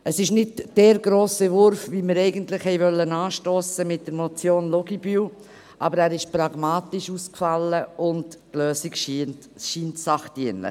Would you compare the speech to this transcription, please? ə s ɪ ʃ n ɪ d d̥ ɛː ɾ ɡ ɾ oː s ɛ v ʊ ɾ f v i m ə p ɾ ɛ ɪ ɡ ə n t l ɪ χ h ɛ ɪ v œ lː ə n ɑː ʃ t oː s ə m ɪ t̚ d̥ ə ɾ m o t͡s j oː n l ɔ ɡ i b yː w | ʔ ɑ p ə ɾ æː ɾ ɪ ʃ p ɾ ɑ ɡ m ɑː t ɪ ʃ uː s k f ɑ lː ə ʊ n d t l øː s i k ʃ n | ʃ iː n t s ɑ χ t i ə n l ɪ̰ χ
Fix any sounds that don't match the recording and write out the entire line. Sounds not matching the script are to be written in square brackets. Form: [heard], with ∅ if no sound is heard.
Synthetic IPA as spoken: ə s ɪ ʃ n ɪ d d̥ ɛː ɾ ɡ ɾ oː s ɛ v ʊ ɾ f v i m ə [∅] ɾ ɛ ɪ ɡ ə n t l ɪ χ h ɛ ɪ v œ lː ə n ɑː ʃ t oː s ə m ɪ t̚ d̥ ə ɾ m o t͡s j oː n l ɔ ɡ i b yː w | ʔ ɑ [b] ə ɾ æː ɾ ɪ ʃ p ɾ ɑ ɡ m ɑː t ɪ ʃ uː s k f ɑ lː ə ʊ n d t l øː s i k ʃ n | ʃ iː n t s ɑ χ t i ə n l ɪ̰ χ